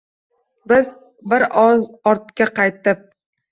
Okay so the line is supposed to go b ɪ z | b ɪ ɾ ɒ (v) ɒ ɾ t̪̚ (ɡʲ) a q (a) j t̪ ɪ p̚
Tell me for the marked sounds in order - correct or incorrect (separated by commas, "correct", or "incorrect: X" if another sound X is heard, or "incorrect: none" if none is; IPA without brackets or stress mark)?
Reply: incorrect: z, incorrect: kʲ, incorrect: ɑ